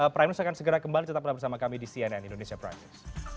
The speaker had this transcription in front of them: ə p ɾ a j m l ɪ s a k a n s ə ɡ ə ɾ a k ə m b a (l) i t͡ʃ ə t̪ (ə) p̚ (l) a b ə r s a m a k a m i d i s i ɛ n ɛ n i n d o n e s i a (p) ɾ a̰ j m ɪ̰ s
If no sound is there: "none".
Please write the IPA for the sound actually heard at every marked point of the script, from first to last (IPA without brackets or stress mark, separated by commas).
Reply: l, a, l, p